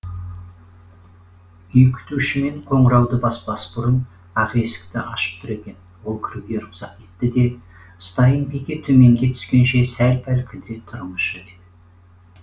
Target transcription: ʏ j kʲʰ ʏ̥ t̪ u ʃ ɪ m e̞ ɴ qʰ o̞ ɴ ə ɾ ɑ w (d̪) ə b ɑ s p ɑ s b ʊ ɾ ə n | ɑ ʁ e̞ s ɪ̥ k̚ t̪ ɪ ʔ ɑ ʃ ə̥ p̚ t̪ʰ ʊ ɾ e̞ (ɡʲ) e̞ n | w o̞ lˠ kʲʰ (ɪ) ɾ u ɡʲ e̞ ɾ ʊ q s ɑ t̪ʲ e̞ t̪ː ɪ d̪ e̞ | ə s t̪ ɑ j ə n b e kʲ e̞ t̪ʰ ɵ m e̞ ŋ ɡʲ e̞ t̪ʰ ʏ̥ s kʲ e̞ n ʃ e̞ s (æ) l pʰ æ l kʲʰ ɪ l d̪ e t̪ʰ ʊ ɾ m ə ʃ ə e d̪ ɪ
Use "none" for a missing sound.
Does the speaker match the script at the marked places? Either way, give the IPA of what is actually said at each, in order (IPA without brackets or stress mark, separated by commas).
d̪, kʲ, ɪ, æ